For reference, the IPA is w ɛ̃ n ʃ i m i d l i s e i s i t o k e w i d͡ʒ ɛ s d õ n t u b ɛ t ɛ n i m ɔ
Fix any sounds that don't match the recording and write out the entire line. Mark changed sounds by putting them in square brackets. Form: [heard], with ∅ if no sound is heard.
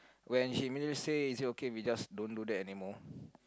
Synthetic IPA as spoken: w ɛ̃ n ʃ i m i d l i s e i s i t o k e w i d͡ʒ [a] s d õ n [d] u [d] ɛ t ɛ n i m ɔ